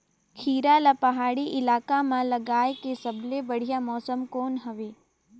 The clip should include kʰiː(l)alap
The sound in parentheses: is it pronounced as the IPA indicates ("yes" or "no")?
no